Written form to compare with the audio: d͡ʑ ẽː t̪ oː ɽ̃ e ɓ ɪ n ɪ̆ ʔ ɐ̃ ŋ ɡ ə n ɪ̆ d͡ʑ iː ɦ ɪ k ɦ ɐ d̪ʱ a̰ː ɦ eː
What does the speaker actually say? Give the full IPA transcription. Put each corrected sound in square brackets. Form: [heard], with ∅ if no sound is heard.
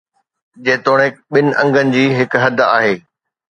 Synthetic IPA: d͡ʑ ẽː t̪ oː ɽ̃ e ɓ ɪ n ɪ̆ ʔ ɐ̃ ŋ ɡ ə n ɪ̆ d͡ʑ iː ɦ ɪ k ɦ ɐ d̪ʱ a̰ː ɦ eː

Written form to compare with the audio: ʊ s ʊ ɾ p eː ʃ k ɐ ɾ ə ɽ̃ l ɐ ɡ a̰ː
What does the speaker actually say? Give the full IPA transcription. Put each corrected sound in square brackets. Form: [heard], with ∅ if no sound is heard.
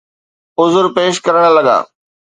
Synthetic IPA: ʊ [z] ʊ ɾ p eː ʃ k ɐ ɾ ə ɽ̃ l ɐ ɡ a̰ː

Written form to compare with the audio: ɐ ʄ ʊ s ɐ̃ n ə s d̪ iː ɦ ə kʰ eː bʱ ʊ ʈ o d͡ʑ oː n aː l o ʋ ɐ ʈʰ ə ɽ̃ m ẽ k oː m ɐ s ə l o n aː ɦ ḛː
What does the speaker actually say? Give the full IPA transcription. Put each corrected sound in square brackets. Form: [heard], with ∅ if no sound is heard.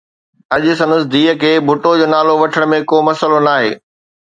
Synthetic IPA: ɐ ʄ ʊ s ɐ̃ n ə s d̪ iː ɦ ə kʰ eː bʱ ʊ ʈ o d͡ʑ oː n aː l o ʋ ɐ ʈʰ ə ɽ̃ m ẽ k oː m ɐ s ə l o n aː ɦ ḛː

